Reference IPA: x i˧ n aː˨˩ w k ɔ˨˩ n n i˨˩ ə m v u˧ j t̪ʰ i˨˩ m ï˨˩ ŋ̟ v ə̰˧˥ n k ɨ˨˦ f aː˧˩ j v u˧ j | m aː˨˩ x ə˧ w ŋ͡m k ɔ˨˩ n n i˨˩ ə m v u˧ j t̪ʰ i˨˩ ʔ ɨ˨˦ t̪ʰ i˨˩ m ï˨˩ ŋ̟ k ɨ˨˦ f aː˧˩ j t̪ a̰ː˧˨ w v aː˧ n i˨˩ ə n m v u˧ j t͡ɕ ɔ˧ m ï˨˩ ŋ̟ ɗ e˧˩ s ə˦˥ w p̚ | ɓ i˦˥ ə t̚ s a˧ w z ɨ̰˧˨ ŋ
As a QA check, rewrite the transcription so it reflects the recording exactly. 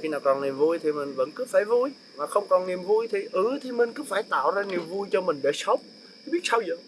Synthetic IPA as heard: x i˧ n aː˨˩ w k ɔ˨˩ n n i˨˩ ə m v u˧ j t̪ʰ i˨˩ m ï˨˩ ŋ̟ v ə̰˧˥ n k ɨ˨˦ f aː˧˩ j v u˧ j | m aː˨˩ x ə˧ w ŋ͡m k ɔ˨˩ n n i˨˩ ə m v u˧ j t̪ʰ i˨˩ ʔ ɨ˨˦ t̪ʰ i˨˩ m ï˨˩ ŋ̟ k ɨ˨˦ f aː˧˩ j t̪ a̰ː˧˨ w z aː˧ n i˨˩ ə m v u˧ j t͡ɕ ɔ˧ m ï˨˩ ŋ̟ ɗ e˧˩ s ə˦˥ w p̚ | ɓ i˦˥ ə t̚ s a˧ w z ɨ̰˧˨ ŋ